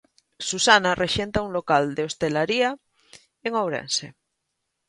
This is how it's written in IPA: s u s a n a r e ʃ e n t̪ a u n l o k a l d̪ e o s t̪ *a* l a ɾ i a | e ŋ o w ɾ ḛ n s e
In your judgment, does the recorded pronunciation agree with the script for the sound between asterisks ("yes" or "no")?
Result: no